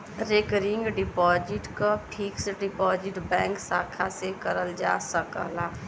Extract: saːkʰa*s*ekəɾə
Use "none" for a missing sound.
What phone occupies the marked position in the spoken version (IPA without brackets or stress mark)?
s